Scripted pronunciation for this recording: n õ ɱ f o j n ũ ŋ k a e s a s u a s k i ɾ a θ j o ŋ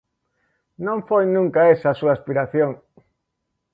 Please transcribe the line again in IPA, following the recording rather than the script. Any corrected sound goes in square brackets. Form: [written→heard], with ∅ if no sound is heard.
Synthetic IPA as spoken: n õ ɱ f o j n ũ ŋ k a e s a s u a s [k→p] i ɾ a θ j o ŋ